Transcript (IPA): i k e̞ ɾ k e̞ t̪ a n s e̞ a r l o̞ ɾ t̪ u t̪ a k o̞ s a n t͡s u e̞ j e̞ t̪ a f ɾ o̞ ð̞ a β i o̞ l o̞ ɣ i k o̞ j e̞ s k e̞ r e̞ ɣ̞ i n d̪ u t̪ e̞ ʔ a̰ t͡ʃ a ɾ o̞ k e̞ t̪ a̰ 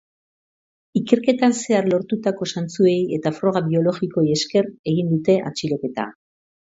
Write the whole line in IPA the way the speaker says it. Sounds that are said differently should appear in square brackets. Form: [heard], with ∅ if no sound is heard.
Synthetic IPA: i k e̞ ɾ k e̞ t̪ a n s e̞ a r l o̞ ɾ t̪ u t̪ a k o̞ s a n t͡s u e̞ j e̞ t̪ a f ɾ o̞ [ɣ̞] a β i o̞ l o̞ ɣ i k o̞ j e̞ s k e̞ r e̞ ɣ̞ i n d̪ u t̪ e̞ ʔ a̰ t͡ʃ [i] ɾ o̞ k e̞ t̪ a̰